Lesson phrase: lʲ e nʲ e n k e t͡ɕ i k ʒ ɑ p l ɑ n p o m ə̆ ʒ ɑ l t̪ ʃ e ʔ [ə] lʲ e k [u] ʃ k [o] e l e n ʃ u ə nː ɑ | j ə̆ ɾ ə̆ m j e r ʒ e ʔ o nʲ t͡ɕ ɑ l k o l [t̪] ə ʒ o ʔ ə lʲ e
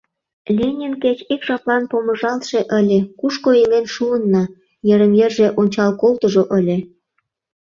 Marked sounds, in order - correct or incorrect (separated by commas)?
correct, correct, correct, correct